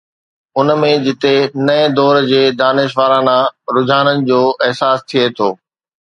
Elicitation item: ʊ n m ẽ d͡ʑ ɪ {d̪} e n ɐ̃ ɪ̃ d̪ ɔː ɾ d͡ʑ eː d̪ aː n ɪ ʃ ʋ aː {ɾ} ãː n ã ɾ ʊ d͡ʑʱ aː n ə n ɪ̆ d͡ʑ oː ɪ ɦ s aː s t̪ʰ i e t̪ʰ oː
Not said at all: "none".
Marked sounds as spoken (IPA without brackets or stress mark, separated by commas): t̪, ɾ